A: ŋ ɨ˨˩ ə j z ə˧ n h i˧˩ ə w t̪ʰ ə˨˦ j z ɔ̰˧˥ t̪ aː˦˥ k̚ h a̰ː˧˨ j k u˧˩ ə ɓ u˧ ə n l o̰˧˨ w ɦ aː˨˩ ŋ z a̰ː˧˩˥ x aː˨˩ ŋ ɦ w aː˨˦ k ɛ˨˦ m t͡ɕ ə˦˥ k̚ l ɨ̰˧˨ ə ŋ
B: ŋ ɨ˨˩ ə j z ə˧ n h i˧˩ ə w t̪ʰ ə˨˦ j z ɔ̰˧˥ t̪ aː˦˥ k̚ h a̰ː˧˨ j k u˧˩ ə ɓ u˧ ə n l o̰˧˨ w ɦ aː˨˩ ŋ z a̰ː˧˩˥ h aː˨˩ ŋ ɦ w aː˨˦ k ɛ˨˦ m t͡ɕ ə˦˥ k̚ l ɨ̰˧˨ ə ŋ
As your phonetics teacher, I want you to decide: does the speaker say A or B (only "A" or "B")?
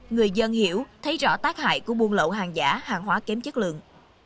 B